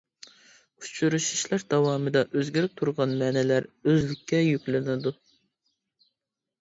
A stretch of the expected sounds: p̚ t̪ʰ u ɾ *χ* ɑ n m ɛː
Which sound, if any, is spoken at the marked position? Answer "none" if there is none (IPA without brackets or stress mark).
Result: ʁ